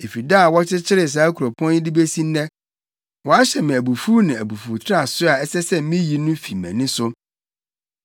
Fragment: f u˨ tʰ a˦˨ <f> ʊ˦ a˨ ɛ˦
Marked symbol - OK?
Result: no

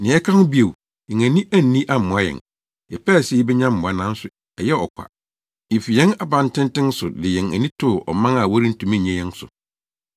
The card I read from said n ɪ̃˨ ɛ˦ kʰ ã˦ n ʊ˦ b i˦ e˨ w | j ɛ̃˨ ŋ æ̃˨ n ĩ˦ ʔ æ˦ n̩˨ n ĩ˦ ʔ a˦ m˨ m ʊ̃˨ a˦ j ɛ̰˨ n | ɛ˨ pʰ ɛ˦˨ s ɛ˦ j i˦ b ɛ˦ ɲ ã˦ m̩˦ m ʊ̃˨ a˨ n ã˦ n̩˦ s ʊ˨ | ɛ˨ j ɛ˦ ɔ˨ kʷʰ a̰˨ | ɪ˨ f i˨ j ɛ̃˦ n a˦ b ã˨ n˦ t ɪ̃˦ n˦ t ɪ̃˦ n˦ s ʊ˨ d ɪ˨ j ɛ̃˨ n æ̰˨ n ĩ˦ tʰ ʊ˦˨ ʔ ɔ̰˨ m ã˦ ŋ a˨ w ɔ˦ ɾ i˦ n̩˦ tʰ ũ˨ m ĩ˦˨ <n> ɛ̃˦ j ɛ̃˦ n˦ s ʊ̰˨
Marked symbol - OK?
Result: no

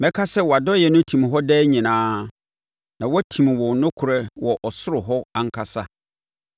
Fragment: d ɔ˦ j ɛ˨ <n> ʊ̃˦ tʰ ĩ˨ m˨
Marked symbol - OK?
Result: yes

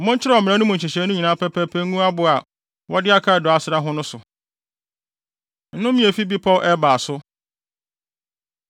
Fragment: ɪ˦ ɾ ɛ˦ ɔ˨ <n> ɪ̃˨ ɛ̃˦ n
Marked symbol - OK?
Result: no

